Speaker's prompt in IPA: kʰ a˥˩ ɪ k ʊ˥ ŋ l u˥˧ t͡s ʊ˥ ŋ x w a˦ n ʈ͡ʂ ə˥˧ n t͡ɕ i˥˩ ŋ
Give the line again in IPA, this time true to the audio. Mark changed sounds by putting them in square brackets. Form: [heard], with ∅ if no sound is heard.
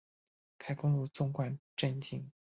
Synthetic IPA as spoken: kʰ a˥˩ ɪ k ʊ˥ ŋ l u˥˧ t͡s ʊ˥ ŋ [k] w [a˥˩] n ʈ͡ʂ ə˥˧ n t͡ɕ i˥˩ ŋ